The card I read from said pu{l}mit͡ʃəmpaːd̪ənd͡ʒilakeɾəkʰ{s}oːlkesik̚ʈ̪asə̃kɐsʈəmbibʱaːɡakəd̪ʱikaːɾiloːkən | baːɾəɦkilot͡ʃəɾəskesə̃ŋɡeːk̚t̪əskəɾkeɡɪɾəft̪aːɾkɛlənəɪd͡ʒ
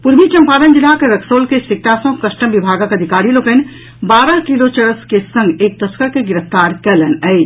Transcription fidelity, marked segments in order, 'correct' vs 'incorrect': incorrect: ɾ, correct

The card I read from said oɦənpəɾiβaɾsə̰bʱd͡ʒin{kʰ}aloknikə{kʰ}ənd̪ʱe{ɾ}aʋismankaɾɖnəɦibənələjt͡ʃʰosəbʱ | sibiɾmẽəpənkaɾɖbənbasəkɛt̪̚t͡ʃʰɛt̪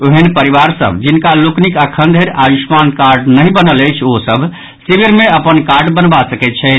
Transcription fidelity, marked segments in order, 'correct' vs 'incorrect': incorrect: k, correct, correct

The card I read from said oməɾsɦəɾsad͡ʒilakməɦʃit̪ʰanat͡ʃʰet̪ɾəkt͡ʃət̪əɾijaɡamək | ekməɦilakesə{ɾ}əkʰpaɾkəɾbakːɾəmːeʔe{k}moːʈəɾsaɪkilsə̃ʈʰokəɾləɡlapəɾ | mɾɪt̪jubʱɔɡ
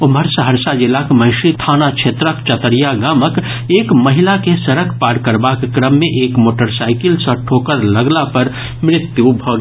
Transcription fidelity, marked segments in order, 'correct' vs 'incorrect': correct, correct

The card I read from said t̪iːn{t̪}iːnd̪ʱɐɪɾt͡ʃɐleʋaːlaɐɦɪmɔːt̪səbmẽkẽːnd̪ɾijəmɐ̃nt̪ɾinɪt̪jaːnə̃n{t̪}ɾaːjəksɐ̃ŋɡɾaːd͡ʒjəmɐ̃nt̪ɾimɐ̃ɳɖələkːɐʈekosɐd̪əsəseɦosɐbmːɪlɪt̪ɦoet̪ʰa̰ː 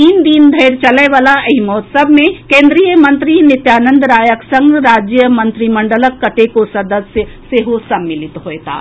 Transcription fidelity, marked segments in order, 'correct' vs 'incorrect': incorrect: d̪, incorrect: d̪

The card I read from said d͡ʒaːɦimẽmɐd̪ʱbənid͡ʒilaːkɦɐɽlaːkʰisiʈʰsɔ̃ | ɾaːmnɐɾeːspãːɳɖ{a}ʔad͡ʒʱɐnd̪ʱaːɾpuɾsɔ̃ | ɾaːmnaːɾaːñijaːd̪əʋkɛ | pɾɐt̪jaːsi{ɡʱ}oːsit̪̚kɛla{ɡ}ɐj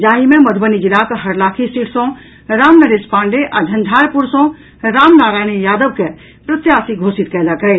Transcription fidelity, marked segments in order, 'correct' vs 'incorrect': incorrect: e, correct, incorrect: k

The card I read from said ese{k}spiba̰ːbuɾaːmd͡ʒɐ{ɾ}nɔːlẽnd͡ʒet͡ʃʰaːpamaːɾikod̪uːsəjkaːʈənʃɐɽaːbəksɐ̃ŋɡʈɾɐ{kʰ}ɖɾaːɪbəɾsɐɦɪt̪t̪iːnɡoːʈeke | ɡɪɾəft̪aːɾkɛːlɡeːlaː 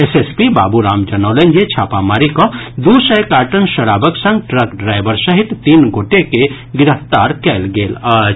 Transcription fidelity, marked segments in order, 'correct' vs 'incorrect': incorrect: none, incorrect: none, incorrect: k

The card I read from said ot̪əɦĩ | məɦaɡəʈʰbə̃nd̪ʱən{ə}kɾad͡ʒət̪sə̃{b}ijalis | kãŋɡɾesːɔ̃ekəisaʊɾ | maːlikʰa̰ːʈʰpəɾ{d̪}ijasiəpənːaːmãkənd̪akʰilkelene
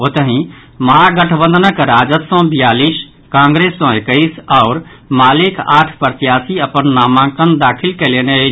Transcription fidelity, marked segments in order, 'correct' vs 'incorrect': correct, correct, incorrect: t̪

